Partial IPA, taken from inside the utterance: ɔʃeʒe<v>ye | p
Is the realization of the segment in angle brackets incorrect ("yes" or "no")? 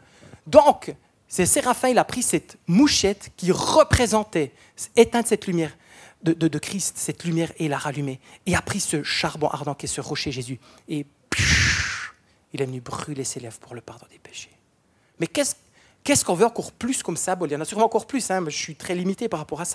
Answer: yes